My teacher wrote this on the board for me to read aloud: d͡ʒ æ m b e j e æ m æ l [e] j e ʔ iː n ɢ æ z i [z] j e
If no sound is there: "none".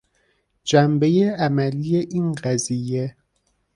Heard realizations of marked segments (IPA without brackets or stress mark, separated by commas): i, none